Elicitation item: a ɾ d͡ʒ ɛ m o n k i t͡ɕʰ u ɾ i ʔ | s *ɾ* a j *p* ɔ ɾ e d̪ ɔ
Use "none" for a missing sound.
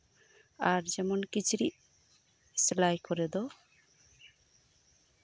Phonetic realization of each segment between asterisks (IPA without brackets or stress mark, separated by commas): l, k